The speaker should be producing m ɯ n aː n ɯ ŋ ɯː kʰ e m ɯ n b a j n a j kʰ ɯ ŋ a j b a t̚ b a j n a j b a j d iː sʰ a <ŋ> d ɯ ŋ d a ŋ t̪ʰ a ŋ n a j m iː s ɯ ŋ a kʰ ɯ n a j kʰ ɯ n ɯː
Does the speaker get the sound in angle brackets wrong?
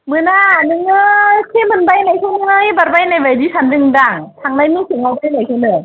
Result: yes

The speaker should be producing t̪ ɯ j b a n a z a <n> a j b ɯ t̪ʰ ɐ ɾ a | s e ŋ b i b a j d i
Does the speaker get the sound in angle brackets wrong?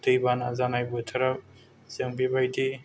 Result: no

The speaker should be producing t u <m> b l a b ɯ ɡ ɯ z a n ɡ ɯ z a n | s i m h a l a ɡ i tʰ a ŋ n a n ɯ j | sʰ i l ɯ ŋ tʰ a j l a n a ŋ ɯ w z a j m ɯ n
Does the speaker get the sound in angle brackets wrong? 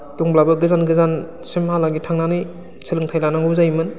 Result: yes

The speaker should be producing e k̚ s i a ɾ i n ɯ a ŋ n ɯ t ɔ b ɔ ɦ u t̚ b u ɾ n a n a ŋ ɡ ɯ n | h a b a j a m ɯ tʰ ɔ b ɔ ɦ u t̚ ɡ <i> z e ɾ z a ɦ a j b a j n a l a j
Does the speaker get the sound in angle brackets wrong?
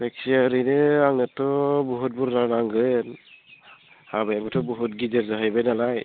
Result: no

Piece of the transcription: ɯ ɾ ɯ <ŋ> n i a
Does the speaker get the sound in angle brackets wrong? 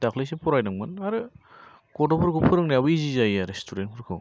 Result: no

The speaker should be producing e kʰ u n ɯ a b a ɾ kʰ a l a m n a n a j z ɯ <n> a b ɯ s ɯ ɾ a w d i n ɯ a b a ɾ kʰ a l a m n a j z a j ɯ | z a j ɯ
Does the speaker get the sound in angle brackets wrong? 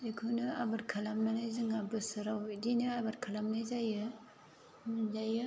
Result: yes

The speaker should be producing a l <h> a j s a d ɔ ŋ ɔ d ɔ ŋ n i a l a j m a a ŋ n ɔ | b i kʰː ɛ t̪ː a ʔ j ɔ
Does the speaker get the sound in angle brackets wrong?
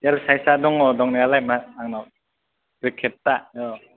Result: yes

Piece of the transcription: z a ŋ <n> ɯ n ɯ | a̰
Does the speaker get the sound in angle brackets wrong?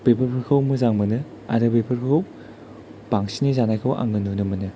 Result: yes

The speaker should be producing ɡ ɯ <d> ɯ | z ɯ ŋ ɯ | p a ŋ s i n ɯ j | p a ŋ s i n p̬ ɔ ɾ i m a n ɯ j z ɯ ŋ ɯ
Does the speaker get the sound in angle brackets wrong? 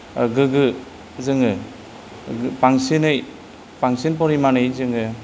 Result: yes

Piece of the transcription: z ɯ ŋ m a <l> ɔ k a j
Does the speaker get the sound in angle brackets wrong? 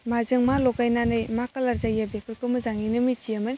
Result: no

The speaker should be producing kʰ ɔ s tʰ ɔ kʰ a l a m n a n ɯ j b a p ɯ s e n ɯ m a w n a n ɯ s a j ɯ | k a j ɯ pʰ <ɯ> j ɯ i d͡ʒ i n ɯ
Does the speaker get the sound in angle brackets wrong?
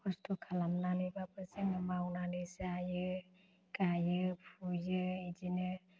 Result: yes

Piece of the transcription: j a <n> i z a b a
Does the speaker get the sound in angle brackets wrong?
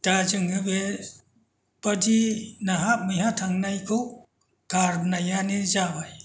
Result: no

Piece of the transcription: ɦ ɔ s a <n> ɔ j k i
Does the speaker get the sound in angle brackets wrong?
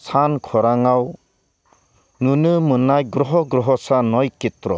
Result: no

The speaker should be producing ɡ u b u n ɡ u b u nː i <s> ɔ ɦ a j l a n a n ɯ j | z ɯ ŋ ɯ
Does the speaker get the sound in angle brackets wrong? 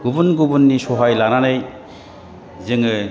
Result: no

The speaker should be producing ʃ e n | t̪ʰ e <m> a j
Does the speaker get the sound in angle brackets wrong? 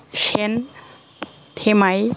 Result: no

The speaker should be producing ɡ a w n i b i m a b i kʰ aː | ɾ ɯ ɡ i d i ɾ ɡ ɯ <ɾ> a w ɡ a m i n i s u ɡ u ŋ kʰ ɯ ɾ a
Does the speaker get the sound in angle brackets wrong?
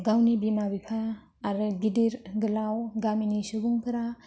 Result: yes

